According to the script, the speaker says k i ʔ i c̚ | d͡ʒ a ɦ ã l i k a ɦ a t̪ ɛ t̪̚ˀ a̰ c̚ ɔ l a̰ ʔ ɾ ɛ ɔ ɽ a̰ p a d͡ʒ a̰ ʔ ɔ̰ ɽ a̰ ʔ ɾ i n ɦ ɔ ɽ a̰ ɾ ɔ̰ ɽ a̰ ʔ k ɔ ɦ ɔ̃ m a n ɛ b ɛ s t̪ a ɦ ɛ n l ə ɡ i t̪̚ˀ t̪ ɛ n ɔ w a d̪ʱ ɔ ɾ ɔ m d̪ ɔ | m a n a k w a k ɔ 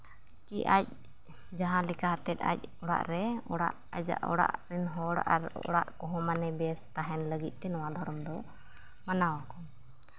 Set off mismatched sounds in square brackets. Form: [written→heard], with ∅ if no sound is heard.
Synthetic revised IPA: k i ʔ [i→a] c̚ | d͡ʒ a ɦ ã l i k a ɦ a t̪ ɛ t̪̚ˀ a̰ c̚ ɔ [l→ɽ] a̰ ʔ ɾ ɛ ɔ ɽ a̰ [p→ʔ] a d͡ʒ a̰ ʔ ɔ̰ ɽ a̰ ʔ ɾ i n ɦ ɔ ɽ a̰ ɾ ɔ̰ ɽ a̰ ʔ k ɔ ɦ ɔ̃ m a n ɛ b ɛ s t̪ a ɦ ɛ n l ə ɡ i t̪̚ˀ t̪ ɛ n ɔ w a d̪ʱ ɔ ɾ ɔ m d̪ ɔ | m a n a [k→∅] w a k ɔ